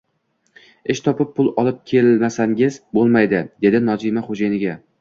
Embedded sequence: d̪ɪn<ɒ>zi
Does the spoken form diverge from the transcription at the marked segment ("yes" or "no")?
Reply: no